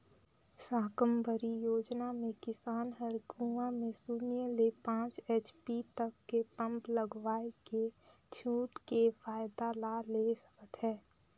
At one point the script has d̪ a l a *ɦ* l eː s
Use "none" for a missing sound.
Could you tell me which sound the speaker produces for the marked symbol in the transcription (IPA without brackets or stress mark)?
none